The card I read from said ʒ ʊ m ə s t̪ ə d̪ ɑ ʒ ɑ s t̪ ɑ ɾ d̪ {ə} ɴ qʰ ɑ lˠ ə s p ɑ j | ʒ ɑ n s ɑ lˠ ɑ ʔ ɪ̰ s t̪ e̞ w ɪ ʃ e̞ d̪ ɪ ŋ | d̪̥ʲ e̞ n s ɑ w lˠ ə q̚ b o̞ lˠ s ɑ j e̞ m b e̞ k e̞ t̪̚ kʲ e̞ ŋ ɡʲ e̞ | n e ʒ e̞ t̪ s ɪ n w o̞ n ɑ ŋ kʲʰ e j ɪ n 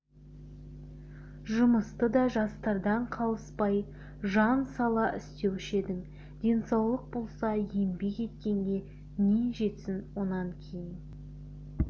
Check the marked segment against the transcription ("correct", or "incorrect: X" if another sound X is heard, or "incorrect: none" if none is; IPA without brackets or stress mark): incorrect: ɑ